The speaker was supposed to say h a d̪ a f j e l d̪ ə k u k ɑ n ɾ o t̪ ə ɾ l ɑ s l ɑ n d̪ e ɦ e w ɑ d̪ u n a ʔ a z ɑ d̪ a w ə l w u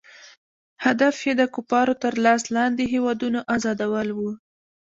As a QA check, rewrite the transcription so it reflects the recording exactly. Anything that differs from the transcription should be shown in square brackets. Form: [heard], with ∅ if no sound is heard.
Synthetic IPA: h a d̪ a f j e [∅] d̪ ə k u [p] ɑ [∅] ɾ o t̪ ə ɾ l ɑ s l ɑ n d̪ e ɦ e w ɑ d̪ u n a ʔ a z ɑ d̪ a w ə l w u